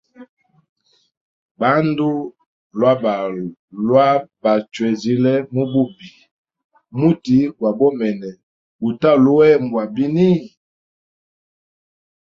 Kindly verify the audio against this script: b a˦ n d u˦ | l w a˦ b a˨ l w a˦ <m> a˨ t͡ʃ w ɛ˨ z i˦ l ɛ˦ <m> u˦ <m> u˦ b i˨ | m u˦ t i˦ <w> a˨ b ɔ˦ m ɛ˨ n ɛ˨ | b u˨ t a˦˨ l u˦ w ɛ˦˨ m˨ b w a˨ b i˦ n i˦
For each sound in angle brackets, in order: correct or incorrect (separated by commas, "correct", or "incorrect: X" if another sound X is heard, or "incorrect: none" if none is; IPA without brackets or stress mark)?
incorrect: b, correct, incorrect: b, correct